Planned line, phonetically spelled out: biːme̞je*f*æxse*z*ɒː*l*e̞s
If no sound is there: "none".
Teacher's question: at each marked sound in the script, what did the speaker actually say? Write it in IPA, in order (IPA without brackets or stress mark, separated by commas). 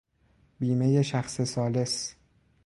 ʃ, s, l